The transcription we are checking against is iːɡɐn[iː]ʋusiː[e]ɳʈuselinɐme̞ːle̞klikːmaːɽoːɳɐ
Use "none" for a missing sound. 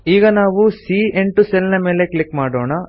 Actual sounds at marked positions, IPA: aː, e

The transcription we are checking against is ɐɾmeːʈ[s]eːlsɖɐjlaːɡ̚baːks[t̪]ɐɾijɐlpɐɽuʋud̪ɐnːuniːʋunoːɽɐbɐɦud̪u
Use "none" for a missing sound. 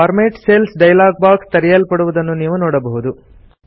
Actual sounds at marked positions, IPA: s, t̪

